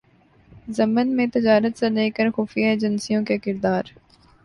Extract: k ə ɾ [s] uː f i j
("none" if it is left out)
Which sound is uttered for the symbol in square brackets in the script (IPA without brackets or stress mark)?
x